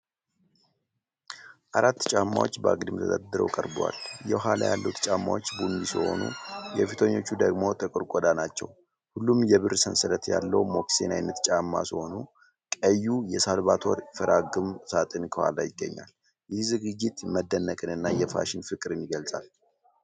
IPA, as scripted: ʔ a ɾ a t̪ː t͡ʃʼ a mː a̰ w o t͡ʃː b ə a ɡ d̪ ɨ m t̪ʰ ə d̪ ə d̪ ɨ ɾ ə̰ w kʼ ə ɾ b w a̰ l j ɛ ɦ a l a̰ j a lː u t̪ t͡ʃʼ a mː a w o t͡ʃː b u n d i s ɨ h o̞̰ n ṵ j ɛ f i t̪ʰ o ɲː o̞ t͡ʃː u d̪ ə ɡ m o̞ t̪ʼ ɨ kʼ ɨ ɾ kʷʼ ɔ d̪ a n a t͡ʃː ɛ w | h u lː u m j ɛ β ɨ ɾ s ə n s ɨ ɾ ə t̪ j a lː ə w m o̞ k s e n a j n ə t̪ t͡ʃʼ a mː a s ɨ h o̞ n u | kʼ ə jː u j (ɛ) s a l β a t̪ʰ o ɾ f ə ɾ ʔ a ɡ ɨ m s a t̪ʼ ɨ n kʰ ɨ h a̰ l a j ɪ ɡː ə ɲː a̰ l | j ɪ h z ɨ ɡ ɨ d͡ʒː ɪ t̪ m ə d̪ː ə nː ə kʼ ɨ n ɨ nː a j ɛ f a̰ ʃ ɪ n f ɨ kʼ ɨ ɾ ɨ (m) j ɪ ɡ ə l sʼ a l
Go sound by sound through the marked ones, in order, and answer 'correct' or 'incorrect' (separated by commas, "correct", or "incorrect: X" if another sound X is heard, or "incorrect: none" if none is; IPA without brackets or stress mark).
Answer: correct, incorrect: n